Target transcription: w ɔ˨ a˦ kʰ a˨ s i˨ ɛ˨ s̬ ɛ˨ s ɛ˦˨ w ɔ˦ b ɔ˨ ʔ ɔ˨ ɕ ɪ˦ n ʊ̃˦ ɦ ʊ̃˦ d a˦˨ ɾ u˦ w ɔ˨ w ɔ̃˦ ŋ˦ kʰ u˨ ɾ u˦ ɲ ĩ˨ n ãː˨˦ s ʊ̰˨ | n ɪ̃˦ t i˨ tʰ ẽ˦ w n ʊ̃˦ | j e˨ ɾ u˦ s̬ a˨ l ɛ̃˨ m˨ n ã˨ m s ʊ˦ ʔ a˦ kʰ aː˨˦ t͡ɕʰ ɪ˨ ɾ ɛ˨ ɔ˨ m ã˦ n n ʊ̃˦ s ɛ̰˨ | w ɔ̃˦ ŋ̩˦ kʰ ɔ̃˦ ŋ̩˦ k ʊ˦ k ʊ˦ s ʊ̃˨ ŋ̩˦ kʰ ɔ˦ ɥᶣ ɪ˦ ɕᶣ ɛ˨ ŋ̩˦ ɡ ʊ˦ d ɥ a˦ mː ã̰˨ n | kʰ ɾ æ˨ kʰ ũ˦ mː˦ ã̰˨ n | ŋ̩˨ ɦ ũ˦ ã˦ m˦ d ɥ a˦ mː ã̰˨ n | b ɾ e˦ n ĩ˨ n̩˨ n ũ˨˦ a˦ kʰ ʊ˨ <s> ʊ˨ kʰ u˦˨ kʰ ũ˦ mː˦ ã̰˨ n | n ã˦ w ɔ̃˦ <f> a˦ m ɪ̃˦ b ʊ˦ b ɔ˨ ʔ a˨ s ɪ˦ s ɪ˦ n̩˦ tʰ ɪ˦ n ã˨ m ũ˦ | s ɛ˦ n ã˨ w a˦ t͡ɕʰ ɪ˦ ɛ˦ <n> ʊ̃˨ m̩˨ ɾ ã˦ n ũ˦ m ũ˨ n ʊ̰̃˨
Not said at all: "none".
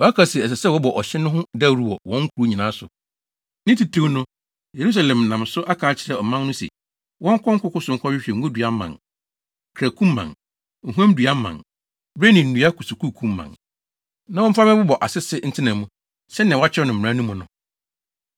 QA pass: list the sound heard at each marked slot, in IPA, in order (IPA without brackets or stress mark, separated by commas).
s, f, n